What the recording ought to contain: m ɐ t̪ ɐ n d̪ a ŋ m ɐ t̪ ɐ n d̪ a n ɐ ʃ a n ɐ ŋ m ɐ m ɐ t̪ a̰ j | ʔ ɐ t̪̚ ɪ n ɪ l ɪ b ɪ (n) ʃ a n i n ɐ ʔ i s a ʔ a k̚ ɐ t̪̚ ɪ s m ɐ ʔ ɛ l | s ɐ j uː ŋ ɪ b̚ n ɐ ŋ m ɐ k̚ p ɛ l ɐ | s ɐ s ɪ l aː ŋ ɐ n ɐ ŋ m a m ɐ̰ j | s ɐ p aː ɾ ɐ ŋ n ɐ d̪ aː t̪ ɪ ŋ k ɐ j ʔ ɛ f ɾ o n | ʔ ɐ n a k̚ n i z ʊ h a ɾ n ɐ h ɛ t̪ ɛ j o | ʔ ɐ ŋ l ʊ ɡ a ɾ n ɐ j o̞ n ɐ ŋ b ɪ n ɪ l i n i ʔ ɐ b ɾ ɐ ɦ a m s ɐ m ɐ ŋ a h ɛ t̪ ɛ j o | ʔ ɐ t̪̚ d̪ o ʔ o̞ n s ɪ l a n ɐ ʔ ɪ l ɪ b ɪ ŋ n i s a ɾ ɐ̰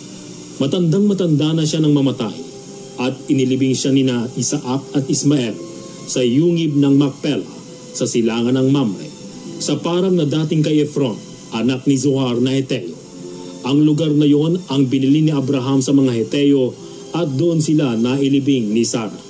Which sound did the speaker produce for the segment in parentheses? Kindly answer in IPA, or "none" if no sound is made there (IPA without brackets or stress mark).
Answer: ŋ